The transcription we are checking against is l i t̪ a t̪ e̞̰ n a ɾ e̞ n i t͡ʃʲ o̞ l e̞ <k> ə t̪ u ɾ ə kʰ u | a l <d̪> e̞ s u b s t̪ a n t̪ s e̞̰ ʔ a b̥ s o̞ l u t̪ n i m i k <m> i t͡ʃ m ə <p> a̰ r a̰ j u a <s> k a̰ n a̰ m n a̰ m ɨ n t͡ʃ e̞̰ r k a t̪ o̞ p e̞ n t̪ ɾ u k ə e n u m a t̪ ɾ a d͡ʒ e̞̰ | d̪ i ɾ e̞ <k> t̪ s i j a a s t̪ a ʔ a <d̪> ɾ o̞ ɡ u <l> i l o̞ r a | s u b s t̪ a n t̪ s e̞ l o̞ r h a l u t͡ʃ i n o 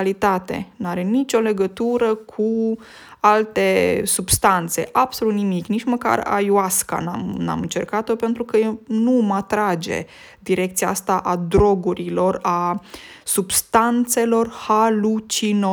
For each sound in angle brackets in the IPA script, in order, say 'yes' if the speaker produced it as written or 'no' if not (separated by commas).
no, no, no, no, yes, yes, yes, no